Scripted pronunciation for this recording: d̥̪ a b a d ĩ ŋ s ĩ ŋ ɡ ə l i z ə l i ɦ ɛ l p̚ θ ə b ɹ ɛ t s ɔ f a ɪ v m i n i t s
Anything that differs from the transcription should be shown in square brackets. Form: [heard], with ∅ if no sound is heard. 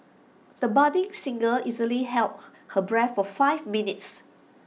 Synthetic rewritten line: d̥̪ [ə] b a d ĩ ŋ s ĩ ŋ ɡ ə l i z ə l i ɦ ɛ l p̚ [h] ə b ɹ ɛ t [f] ɔ f a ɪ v m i n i t s